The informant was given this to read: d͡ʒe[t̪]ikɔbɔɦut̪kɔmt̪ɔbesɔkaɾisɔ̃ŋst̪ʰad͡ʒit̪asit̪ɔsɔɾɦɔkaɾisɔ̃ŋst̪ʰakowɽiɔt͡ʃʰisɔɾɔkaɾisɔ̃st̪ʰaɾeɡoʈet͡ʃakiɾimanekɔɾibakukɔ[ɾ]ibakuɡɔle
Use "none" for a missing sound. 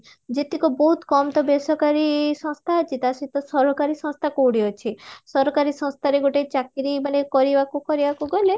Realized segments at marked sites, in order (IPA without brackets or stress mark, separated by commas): t̪, ɾ